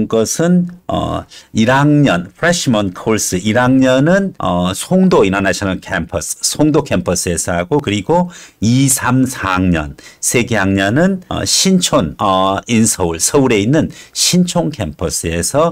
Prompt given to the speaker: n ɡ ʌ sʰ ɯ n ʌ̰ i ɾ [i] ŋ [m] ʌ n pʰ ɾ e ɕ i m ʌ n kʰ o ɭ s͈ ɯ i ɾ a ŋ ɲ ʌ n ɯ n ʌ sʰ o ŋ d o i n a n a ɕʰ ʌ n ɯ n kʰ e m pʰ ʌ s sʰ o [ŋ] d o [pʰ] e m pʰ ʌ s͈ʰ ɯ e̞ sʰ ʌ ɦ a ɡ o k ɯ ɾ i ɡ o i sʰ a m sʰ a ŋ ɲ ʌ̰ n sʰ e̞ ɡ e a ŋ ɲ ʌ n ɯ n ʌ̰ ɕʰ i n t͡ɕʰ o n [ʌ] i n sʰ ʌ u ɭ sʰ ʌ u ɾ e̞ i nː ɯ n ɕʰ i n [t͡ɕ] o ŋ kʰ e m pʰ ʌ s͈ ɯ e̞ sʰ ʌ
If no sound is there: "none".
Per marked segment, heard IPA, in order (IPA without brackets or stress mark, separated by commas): a, ɲ, ŋ, kʰ, ʌ, t͡ɕʰ